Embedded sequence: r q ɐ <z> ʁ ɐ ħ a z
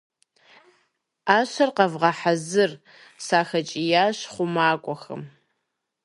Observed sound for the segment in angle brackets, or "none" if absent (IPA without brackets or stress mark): v